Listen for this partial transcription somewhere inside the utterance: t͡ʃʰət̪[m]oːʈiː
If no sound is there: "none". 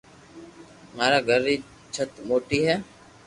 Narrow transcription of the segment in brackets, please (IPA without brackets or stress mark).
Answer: m